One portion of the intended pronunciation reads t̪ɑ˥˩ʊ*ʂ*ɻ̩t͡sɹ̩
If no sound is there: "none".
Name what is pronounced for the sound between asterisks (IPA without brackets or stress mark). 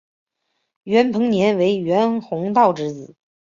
ʈ͡ʂ